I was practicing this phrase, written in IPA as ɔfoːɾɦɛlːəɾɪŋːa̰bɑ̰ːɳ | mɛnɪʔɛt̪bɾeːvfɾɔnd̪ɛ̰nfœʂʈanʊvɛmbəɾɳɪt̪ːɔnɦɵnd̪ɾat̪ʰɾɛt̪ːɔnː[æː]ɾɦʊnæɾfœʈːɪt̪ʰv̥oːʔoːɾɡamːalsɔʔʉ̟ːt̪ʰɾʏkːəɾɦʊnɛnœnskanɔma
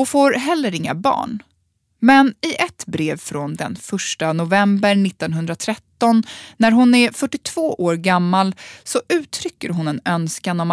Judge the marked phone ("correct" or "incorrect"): incorrect